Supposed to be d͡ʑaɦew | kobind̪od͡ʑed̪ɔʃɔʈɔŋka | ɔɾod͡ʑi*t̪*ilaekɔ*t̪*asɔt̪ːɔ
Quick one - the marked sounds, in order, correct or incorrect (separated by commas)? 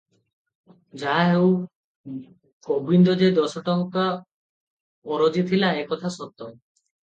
incorrect, incorrect